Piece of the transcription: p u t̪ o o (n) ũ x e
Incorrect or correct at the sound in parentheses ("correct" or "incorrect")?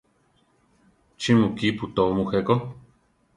incorrect